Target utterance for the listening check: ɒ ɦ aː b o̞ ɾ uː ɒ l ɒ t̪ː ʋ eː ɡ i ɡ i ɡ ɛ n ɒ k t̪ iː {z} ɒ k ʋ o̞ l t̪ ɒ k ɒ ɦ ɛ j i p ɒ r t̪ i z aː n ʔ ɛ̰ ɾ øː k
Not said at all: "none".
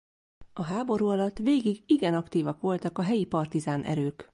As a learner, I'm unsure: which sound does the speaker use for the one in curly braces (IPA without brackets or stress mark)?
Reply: v